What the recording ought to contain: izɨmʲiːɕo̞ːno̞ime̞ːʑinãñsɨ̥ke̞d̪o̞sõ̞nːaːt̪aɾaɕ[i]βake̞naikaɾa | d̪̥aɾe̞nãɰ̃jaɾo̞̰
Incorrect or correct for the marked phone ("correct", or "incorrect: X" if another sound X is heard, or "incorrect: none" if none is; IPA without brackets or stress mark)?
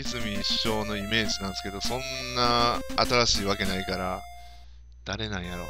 incorrect: iː